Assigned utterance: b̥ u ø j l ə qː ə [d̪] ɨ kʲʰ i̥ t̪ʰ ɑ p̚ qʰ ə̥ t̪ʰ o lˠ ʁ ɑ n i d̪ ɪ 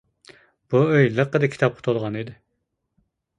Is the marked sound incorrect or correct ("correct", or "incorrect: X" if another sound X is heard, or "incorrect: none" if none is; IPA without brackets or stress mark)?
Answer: correct